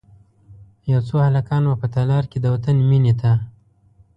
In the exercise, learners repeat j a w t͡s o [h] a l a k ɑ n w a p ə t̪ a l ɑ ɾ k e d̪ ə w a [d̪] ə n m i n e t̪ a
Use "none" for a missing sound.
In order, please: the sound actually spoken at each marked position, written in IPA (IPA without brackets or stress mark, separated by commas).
h, t̪